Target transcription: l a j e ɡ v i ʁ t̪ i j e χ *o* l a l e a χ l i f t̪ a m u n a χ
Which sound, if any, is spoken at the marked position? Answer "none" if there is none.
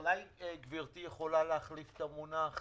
o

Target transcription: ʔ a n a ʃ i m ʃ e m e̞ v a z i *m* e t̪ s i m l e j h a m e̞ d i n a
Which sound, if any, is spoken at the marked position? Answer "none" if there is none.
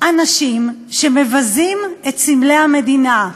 m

